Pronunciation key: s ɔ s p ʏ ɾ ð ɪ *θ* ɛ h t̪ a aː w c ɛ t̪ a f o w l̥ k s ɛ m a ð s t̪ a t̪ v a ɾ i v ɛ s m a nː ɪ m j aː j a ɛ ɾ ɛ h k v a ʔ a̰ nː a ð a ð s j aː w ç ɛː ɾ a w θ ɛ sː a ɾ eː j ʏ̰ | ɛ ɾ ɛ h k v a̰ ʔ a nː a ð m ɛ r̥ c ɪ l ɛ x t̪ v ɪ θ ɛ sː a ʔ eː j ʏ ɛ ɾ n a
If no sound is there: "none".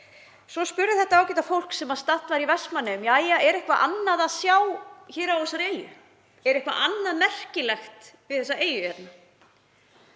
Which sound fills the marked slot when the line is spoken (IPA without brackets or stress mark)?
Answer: θ